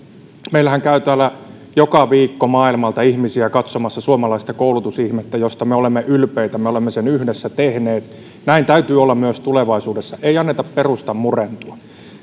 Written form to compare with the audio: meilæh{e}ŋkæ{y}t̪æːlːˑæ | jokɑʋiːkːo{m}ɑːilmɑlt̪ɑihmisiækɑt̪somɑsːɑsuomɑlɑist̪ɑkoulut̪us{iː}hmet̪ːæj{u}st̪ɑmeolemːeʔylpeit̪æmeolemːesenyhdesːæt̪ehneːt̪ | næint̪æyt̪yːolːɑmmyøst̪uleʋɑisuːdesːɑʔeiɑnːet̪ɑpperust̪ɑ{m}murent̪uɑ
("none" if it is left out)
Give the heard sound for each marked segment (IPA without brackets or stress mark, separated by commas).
æ, y, m, i, o, m